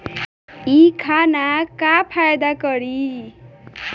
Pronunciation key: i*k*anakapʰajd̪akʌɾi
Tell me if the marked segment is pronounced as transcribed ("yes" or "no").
no